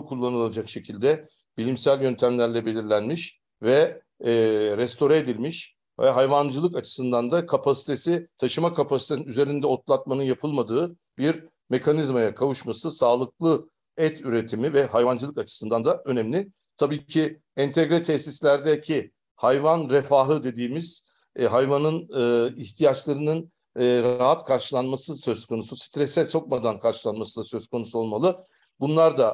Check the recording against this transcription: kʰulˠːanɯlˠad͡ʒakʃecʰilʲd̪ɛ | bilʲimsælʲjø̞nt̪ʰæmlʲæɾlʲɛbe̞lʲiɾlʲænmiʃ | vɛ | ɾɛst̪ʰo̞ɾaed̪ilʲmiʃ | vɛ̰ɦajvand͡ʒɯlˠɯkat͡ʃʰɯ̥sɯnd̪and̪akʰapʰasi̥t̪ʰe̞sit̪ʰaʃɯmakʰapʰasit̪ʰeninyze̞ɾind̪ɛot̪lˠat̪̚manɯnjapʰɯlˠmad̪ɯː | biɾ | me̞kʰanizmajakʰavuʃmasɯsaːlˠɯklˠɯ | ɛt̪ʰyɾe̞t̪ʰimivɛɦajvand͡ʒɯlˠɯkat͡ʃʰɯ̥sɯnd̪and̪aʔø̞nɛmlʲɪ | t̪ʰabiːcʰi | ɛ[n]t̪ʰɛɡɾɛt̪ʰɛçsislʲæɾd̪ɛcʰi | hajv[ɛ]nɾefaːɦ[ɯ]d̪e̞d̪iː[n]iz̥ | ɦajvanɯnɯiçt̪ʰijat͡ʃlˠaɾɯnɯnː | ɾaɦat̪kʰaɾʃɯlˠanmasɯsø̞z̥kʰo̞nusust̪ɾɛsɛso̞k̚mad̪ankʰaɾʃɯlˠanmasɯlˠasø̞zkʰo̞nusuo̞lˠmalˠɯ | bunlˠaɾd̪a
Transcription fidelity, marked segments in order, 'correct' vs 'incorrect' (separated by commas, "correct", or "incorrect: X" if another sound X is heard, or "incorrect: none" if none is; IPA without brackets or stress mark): correct, incorrect: a, correct, incorrect: m